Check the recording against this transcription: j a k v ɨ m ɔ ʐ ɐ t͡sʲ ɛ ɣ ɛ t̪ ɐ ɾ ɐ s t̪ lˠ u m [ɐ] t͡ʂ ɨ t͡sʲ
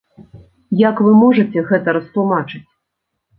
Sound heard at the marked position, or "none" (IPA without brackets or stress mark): a